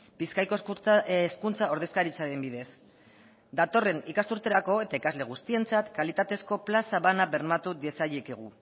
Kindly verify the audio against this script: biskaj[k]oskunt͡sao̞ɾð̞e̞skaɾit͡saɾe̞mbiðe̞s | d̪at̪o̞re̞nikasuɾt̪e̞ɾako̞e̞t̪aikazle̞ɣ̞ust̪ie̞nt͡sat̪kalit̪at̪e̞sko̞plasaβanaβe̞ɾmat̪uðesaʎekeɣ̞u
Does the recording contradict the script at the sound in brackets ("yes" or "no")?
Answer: no